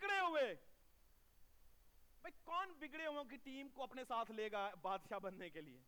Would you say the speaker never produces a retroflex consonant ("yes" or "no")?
no